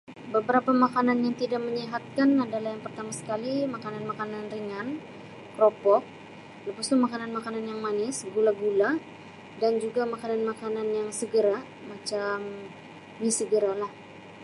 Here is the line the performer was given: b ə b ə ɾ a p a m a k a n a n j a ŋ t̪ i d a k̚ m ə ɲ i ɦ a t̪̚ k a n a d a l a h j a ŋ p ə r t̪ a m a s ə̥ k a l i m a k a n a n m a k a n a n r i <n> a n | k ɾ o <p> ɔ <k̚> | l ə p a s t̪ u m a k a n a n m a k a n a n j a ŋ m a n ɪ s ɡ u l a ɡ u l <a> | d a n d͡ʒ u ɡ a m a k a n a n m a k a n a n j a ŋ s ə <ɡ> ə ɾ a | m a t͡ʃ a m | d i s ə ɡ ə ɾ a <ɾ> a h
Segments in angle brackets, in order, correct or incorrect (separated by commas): incorrect, correct, correct, correct, correct, incorrect